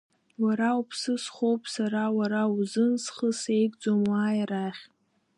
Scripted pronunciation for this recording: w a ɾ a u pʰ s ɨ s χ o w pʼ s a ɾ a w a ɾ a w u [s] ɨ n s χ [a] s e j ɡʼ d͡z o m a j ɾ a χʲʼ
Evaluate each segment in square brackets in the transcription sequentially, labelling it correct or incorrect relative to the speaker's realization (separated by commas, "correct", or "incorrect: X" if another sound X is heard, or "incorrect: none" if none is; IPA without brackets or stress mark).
incorrect: z, incorrect: ə